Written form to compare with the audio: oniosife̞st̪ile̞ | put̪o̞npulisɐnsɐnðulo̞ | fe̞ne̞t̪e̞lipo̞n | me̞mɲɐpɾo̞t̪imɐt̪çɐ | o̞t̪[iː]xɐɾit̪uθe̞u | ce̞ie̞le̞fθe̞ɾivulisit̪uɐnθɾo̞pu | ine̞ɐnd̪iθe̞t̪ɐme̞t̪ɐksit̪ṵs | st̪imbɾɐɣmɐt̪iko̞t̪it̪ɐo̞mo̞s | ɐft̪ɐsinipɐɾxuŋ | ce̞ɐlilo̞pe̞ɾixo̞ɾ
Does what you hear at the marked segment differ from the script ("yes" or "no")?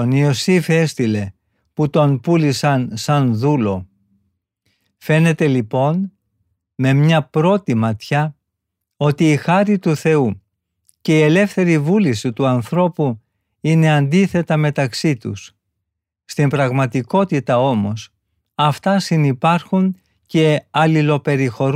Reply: no